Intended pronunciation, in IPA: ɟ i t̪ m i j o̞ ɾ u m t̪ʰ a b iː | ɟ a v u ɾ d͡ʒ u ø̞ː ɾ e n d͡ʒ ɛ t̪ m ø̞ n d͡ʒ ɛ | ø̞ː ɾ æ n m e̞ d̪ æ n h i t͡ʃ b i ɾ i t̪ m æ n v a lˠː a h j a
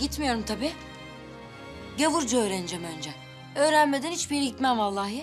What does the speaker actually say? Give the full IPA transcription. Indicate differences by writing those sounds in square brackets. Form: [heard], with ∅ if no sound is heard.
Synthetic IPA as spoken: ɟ i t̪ m i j o̞ ɾ u m t̪ʰ a b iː | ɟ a v u ɾ d͡ʒ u ø̞ː ɾ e n d͡ʒ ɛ [∅] m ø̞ n d͡ʒ ɛ | ø̞ː ɾ æ n m e̞ d̪ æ n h i t͡ʃ b i ɾ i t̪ m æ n v a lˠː a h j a